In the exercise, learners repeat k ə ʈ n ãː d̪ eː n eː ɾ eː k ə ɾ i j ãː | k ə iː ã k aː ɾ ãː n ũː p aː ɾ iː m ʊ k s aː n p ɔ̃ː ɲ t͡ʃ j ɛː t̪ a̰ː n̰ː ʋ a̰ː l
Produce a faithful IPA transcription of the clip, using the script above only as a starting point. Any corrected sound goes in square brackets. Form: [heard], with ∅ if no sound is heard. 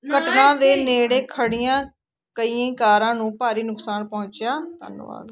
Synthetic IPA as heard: k ə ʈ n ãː d̪ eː n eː [ɽ] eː [kʰ] ə [ɽ] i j ãː | k ə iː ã k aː ɾ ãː n ũː p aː ɾ iː [n] ʊ k s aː n p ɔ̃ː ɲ t͡ʃ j [aː] t̪ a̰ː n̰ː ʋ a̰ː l